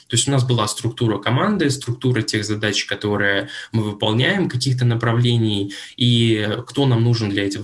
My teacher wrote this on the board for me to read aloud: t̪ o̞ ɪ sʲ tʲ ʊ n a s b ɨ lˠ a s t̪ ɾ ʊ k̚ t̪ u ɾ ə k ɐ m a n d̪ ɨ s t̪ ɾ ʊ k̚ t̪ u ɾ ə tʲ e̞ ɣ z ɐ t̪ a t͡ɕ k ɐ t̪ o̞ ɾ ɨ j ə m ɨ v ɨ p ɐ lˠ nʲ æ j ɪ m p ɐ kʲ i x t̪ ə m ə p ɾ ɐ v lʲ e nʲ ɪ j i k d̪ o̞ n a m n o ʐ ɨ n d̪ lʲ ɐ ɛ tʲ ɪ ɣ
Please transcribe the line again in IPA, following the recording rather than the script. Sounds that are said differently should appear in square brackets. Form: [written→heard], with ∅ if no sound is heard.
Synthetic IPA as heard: t̪ o̞ ɪ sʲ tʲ ʊ n a s b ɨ lˠ a s t̪ ɾ ʊ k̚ t̪ u ɾ ə k ɐ m a n d̪ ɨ s t̪ ɾ ʊ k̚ t̪ u ɾ ə tʲ e̞ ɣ z ɐ [t̪→d̪] a t͡ɕ k ɐ t̪ o̞ ɾ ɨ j ə m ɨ v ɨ p ɐ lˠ nʲ æ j ɪ m [p→k] ɐ kʲ i x t̪ ə [m→n] ə p ɾ ɐ v lʲ e nʲ ɪ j i k [d̪→t̪] o̞ n a m n [o→u] ʐ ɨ n d̪ lʲ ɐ ɛ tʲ ɪ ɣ